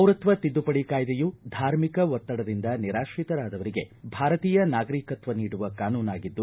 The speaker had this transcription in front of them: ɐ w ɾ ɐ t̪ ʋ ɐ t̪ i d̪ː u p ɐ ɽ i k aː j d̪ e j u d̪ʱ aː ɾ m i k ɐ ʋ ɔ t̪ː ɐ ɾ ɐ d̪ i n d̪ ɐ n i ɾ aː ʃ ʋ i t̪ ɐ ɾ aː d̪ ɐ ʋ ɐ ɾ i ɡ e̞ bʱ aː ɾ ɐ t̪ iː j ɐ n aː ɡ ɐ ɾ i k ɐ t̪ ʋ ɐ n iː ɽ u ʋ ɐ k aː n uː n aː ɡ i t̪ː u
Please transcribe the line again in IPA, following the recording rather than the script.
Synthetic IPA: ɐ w ɾ ɐ t̪ ʋ ɐ t̪ i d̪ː u p ɐ ɽ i k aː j d̪ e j u d̪ʱ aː ɾ m i k ɐ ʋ ɔ t̪ː ɐ ɽ ɐ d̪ i n d̪ ɐ n i ɾ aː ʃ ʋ i t̪ ɐ ɾ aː d̪ ɐ ʋ ɐ ɾ i ɡ e̞ bʱ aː ɾ ɐ t̪ iː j ɐ n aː ɡ ɐ ɾ i k ɐ t̪ ʋ ɐ n iː ɽ u ʋ ɐ k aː n uː n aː ɡ i d̪ː u